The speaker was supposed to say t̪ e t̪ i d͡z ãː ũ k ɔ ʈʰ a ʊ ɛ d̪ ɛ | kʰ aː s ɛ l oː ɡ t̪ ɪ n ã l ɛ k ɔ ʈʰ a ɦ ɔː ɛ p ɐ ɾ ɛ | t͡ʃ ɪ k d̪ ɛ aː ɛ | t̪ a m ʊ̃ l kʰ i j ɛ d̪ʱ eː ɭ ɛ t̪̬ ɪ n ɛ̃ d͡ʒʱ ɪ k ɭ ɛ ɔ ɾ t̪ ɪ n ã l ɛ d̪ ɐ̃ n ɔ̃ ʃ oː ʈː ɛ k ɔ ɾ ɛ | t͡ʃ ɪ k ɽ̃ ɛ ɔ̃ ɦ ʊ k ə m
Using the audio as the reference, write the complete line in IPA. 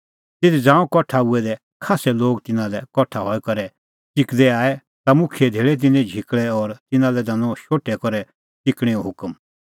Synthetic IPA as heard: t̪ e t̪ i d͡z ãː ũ k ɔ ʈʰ a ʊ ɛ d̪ ɛ | kʰ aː s ɛ l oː ɡ t̪ ɪ n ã l ɛ k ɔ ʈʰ a ɦ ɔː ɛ k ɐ ɾ ɛ | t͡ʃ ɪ k d̪ ɛ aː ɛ | t̪ a m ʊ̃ kʰ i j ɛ d̪ʱ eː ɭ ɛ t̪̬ ɪ n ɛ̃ d͡ʒʱ ɪ k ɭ ɛ ɔ ɾ t̪ ɪ n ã l ɛ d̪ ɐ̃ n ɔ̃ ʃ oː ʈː ɛ k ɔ ɾ ɛ | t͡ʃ ɪ k ɽ̃ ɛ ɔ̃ ɦ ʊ k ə m